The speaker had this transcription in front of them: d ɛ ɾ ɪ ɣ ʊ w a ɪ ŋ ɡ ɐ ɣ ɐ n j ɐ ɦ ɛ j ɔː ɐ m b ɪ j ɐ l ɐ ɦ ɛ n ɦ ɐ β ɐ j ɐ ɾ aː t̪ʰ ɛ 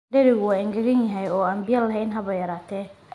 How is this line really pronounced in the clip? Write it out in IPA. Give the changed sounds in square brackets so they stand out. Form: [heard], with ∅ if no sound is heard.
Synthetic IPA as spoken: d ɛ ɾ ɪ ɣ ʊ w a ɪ ŋ ɡ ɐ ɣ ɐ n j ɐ ɦ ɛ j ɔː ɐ m b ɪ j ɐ l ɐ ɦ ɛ n ɦ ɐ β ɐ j ɐ ɾ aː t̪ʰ ɛ